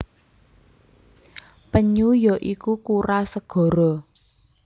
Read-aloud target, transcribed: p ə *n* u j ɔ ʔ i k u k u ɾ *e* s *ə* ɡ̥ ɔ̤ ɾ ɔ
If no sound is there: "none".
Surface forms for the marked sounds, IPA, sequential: ɲ, a, ə

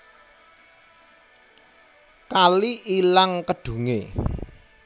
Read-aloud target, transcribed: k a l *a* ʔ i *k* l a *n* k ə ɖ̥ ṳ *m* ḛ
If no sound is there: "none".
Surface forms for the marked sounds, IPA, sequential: i, none, ŋ, ŋ

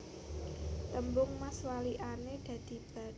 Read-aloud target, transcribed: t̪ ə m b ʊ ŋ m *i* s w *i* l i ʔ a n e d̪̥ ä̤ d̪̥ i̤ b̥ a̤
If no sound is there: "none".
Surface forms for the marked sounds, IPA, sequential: a, a

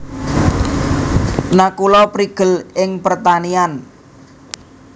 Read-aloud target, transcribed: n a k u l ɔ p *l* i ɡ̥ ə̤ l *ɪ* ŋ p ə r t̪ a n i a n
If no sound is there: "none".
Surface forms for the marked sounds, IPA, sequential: ɾ, ɪ

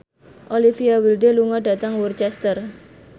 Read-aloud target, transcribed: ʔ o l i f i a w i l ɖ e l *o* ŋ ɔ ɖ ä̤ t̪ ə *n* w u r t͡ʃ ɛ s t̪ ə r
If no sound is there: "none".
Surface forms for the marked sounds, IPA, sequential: u, ŋ

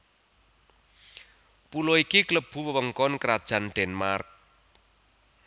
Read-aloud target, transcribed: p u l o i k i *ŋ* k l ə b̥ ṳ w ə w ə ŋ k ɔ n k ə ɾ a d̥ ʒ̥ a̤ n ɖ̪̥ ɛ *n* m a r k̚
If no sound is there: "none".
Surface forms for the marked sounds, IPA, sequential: none, n

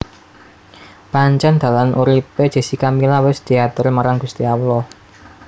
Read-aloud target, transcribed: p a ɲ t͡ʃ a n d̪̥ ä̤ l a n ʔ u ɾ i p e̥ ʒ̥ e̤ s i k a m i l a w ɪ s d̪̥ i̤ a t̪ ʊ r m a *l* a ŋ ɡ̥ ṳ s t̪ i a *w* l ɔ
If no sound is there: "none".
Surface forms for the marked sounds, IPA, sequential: ɾ, w

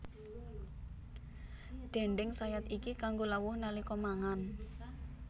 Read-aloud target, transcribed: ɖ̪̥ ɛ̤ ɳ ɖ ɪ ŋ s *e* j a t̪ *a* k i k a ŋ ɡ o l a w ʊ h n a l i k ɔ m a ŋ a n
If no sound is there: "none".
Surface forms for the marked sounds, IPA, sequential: a, i

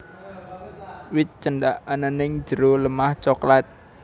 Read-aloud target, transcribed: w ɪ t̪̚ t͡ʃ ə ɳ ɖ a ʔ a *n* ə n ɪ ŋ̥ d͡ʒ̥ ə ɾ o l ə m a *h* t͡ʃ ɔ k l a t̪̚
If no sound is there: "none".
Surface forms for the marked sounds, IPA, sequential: n, h

